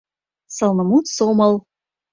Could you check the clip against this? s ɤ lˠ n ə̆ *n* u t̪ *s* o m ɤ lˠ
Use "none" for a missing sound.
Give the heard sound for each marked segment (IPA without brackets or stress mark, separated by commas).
m, s